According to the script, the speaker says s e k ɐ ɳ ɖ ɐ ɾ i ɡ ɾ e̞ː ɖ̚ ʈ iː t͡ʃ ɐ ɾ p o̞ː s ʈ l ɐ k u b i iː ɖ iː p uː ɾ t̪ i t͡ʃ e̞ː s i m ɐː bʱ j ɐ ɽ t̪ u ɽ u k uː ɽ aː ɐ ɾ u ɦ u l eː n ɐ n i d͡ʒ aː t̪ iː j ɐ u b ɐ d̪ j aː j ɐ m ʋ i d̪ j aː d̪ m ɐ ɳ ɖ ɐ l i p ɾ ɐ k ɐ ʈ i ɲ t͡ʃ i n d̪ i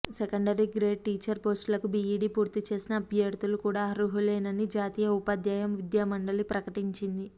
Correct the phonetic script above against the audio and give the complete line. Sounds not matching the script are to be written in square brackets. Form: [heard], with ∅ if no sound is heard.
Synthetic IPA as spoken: s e k ɐ ɳ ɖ ɐ ɾ i ɡ ɾ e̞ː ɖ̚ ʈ iː t͡ʃ ɐ ɾ p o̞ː s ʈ l ɐ k u b i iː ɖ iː p uː ɾ t̪ i t͡ʃ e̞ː s i [n] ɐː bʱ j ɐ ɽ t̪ u [l] u k uː ɽ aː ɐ ɾ u ɦ u l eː n ɐ n i d͡ʒ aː t̪ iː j ɐ u [p] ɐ d̪ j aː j ɐ m ʋ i d̪ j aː [∅] m ɐ ɳ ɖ ɐ l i p ɾ ɐ k ɐ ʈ i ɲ t͡ʃ i n d̪ i